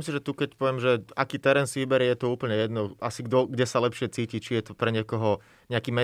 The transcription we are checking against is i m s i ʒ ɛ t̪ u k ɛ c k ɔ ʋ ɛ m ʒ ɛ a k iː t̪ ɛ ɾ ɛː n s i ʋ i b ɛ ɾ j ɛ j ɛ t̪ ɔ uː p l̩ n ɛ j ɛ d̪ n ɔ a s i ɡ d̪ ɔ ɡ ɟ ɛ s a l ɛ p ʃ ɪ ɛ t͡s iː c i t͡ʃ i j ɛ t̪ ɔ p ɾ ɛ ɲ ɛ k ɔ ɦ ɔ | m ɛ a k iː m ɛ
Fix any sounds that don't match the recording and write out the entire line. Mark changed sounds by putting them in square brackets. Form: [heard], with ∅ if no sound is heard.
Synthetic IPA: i m s i ʒ ɛ t̪ u k ɛ c [p] ɔ ʋ ɛ m ʒ ɛ a k iː t̪ ɛ ɾ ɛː n s i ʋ i b ɛ ɾ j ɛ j ɛ t̪ ɔ uː p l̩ [ɲ] ɛ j ɛ d̪ n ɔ a s i ɡ d̪ ɔ ɡ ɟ ɛ s a l ɛ p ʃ ɪ ɛ t͡s iː c i t͡ʃ i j ɛ t̪ ɔ p ɾ ɛ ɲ ɛ k ɔ ɦ ɔ | [ɲ] ɛ a k iː m ɛ